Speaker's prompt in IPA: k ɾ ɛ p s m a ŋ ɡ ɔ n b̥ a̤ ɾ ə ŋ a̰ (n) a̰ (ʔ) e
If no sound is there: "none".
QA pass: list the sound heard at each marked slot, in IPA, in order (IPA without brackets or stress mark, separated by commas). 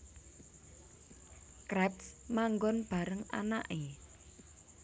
n, ʔ